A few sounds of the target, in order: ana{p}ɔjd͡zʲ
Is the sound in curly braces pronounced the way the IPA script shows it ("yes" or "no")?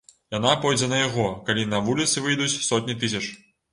yes